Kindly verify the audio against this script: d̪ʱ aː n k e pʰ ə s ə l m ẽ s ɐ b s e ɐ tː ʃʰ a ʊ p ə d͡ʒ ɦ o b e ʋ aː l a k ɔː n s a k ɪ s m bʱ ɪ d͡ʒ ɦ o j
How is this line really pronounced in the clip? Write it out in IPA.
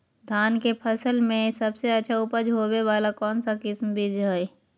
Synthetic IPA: d̪ʱ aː n k e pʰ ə s ə l m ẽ s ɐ b s e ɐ tː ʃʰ a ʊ p ə d͡ʒ ɦ o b e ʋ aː l a k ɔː n s a k ɪ s m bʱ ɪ d͡ʒ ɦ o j